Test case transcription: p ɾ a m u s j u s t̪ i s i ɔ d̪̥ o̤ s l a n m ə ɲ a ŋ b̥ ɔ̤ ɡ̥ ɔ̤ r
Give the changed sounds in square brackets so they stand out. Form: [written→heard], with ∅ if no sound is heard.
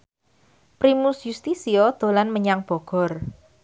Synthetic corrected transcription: p ɾ [a→i] m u s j u s t̪ i s i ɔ d̪̥ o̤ [s→∅] l a n m ə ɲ a ŋ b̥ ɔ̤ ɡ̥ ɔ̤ r